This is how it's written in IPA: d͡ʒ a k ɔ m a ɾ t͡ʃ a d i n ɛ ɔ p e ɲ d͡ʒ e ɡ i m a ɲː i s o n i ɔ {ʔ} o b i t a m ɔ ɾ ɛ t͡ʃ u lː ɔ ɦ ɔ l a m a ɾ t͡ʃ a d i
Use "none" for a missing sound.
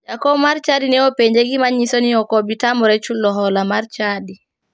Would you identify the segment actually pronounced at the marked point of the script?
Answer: k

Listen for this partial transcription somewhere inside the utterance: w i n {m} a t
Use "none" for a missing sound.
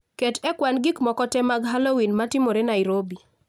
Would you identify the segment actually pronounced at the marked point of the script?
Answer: m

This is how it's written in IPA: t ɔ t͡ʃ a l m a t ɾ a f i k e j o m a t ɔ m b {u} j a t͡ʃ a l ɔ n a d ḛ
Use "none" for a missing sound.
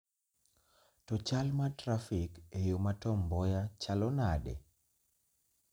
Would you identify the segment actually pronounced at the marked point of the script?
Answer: ɔ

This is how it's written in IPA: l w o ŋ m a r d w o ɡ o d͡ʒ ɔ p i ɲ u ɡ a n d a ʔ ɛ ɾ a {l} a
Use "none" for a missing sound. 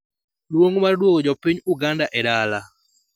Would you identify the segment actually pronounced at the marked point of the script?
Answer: l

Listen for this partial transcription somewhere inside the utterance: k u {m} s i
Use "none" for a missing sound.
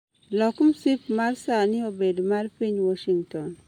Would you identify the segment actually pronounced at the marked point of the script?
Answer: m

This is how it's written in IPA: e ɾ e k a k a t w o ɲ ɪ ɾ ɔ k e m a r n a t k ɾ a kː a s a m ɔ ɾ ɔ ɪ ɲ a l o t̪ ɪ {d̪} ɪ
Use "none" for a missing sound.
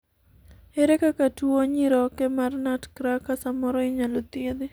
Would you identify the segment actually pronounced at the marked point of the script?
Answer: d̪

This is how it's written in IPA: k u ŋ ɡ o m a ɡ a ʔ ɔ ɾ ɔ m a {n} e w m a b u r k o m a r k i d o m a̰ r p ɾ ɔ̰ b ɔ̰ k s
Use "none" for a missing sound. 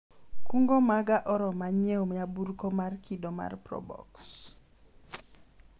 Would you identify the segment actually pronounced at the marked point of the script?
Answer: ɲ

